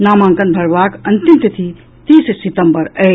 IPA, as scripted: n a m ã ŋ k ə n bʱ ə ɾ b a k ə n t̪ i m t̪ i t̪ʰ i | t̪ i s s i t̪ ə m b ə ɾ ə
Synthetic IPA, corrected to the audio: n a m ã ŋ k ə n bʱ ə ɾ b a k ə n t̪ i m t̪ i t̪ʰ i | t̪ i s s i t̪ ə m b ə ɾ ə